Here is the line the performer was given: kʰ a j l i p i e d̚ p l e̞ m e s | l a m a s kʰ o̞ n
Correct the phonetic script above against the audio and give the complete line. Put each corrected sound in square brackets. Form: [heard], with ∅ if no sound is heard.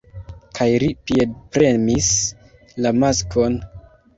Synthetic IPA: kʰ a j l i p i e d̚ p [ɾ] e̞ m [i] s | l a m a s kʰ o̞ n